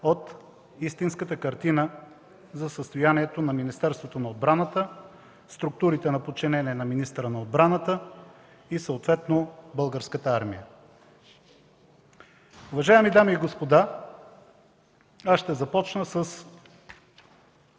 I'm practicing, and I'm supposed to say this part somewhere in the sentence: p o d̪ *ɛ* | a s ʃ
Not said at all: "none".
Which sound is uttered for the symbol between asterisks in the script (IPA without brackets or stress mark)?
a